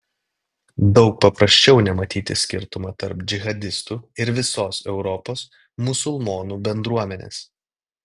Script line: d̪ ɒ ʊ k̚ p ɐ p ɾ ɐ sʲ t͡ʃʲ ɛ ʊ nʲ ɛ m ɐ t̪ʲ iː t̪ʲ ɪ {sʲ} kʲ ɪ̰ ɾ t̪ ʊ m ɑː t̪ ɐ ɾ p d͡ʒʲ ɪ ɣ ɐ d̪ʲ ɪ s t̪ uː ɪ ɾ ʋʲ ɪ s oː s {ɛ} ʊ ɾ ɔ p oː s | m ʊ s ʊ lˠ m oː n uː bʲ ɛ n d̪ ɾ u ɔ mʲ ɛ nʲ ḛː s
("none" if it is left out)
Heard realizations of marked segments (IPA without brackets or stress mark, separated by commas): sʲ, ɛ